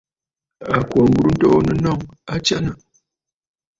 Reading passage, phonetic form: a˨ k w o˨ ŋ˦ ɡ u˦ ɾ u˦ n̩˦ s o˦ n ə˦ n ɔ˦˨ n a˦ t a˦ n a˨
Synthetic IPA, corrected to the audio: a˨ k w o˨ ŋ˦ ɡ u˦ ɾ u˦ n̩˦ t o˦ n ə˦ n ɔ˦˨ ŋ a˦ t͡ʃ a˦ n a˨